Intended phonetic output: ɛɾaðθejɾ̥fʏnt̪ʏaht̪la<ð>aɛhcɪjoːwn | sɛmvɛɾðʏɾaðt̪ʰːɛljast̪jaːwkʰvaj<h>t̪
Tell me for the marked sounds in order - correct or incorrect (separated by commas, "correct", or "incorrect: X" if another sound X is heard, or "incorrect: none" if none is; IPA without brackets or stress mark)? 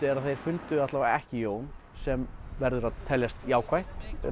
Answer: incorrect: v, correct